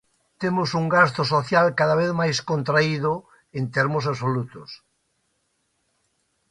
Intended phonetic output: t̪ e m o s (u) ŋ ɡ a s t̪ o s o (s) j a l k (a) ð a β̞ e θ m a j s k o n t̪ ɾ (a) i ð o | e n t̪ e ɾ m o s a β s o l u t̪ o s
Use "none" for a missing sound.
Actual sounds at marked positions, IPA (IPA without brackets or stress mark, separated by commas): u, θ, a, a